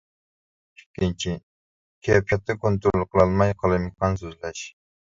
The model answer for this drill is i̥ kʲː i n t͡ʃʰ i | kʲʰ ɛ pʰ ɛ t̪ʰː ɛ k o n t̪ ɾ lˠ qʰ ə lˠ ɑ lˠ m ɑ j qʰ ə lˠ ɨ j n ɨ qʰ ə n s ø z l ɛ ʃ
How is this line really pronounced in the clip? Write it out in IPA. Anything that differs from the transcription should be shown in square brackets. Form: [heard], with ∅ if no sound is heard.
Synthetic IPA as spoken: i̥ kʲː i n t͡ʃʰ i | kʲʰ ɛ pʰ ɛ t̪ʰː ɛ k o n t̪ ɾ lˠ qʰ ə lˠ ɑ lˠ m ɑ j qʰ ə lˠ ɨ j [m] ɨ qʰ [ɑ] n s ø z l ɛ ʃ